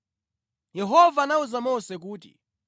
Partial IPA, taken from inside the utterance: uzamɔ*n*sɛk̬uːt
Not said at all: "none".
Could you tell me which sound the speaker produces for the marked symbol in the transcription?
none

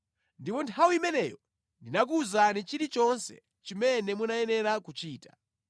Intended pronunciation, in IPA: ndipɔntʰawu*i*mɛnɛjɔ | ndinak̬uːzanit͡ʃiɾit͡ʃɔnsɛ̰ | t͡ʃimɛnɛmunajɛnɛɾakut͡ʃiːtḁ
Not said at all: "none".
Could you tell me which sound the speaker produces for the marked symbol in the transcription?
i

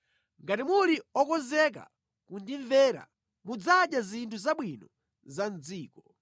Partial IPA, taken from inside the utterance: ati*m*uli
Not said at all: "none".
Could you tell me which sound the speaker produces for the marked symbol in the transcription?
m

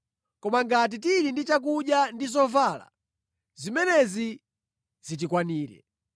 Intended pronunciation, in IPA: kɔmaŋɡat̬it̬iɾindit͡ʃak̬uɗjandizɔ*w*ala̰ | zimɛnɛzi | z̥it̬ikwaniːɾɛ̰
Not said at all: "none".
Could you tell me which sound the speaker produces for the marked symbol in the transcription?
v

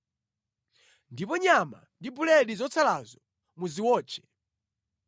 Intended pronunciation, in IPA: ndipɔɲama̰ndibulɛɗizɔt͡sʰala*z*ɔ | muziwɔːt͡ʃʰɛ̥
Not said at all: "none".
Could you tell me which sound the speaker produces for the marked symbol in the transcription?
z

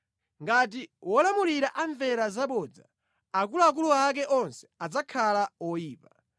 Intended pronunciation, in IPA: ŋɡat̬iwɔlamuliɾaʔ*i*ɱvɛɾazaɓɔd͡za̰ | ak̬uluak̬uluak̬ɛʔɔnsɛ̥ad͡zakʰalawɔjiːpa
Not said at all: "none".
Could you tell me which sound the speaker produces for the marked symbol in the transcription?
a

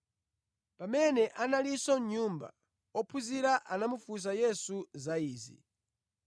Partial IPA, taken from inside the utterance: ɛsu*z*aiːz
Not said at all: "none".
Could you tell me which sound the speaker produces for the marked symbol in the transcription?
z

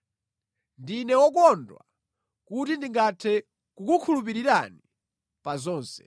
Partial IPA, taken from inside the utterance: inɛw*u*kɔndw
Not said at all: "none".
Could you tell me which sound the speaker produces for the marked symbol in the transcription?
ɔ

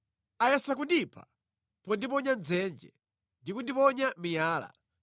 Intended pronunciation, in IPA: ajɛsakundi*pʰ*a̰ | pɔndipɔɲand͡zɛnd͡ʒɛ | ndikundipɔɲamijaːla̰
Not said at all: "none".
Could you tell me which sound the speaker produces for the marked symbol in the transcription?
pʰ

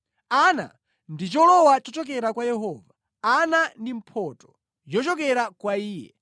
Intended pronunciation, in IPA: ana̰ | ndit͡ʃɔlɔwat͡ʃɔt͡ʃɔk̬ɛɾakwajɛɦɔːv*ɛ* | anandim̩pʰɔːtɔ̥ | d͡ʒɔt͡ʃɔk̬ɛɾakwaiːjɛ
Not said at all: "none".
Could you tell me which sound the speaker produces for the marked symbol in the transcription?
a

